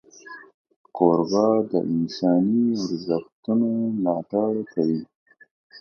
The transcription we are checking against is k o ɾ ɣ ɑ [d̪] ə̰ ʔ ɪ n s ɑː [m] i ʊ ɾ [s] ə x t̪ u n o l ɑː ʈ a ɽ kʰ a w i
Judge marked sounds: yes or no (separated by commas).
yes, no, no